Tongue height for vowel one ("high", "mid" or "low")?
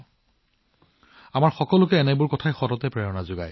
low